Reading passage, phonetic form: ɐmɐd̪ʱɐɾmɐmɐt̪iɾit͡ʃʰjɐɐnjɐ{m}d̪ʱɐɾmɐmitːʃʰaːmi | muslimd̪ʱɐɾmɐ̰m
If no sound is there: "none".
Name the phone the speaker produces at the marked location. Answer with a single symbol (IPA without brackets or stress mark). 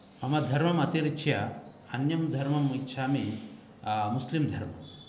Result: m